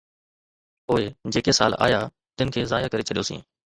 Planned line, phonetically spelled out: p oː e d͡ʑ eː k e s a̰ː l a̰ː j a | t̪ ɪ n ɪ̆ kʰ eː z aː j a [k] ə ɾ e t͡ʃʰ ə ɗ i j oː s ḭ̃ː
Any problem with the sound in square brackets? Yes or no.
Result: no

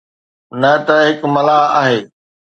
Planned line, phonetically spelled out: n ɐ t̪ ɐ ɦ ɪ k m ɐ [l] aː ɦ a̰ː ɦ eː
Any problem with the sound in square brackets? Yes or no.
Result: no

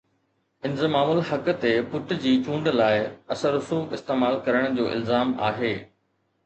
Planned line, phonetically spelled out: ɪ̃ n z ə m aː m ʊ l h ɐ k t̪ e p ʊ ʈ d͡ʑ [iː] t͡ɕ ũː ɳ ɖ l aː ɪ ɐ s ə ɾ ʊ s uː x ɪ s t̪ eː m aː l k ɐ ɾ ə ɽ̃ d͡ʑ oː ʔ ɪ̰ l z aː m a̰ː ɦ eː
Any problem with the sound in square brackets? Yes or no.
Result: no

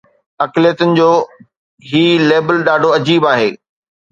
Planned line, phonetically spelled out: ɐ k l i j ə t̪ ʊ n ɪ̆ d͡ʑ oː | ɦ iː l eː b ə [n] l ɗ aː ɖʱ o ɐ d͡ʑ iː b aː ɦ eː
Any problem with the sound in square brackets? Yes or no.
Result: yes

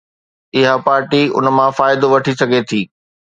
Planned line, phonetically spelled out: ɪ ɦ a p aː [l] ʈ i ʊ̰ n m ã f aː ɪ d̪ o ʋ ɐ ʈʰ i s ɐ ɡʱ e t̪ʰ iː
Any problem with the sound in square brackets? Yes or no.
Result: yes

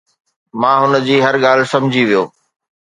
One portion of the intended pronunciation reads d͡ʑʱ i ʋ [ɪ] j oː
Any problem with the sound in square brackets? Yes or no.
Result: yes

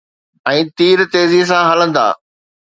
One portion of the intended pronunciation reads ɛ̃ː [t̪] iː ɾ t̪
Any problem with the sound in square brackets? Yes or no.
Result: no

